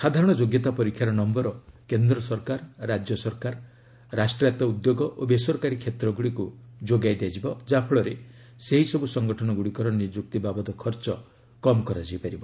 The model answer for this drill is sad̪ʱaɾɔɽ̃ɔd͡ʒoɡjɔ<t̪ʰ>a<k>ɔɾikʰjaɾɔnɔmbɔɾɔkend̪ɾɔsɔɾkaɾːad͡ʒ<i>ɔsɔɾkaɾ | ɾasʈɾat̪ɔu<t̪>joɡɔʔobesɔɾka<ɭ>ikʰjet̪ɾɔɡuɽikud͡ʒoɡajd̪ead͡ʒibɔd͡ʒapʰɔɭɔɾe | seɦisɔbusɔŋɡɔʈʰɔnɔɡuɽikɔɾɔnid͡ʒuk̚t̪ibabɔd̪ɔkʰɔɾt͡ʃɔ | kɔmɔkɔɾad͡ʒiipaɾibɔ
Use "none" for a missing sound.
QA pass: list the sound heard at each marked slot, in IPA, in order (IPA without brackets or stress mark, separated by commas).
t̪, p, j, d̪, ɾ